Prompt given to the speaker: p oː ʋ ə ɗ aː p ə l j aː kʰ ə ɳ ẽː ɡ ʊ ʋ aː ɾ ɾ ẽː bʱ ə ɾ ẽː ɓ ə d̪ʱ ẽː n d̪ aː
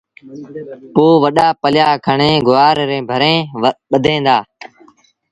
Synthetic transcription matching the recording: p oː ʋ ə ɗ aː p ə l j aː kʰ ə ɳ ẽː ɡ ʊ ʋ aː ɾ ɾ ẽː bʱ ə ɾ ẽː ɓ ə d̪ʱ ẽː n d̪ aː